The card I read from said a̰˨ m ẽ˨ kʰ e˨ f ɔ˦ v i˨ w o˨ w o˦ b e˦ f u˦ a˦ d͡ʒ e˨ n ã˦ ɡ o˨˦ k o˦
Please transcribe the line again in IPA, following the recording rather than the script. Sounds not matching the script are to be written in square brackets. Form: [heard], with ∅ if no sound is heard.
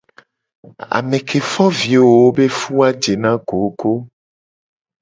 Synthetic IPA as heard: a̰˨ m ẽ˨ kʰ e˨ f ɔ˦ v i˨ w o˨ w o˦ b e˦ f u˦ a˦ d͡ʒ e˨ n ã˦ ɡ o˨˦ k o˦